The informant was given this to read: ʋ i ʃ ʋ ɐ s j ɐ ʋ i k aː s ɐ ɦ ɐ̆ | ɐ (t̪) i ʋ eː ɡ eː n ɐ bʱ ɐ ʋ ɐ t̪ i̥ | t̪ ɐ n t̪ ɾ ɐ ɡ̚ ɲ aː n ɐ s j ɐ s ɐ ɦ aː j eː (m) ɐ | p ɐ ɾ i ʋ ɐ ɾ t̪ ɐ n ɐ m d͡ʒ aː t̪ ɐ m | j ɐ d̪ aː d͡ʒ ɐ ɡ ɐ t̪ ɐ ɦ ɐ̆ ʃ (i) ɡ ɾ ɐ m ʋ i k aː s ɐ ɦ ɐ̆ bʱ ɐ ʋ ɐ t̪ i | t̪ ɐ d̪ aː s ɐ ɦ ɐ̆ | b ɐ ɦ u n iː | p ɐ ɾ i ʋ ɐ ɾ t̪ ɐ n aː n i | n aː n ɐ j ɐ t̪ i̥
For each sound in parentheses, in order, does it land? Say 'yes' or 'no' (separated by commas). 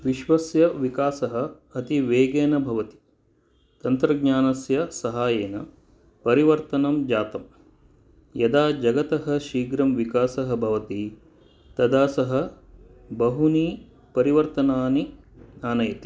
yes, no, no